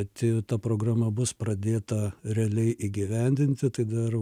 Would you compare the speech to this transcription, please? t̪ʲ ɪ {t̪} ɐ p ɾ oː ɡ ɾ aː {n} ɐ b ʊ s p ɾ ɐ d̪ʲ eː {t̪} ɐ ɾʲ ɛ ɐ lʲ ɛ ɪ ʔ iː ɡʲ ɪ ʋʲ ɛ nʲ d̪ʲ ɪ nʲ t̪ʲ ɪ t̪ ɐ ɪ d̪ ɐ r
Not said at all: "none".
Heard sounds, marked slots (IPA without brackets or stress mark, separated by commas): t̪, m, t̪